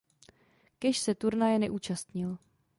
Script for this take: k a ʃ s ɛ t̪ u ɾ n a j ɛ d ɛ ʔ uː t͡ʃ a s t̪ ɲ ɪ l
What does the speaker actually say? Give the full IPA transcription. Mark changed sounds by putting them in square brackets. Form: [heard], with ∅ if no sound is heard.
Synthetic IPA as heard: k [ɛ] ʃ s ɛ t̪ u ɾ n a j ɛ [n] ɛ ʔ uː t͡ʃ a s t̪ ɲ ɪ l